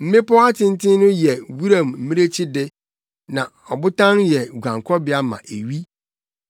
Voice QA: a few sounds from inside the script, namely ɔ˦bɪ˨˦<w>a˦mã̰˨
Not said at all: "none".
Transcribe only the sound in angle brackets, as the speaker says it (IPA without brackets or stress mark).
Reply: none